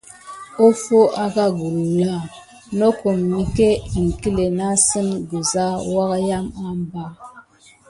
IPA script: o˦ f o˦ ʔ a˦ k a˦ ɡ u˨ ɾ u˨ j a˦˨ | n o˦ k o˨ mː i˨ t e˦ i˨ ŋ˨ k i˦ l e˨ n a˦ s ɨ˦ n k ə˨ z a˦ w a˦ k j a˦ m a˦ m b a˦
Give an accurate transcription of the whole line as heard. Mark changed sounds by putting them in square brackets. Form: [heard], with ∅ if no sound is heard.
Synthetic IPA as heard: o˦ f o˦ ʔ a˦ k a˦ ɡ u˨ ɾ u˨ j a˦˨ | n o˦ k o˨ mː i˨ [k] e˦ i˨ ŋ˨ k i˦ l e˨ n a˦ s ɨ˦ n [ɡ] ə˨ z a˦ w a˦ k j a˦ m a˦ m b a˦